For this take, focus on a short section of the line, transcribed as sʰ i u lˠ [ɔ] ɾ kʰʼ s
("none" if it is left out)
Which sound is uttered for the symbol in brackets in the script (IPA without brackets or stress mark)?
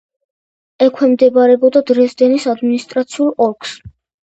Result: ɔ